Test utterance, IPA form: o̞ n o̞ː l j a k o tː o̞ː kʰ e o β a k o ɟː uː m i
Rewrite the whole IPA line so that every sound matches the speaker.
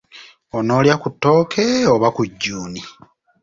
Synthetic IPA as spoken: o̞ n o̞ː l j a k u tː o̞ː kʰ e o β a k u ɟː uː n i